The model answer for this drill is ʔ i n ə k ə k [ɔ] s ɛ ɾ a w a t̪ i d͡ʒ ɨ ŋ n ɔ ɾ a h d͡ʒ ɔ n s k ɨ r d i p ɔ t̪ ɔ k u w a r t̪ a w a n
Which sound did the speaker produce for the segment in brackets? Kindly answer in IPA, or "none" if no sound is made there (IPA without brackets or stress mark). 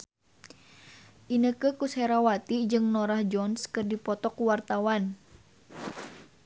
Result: u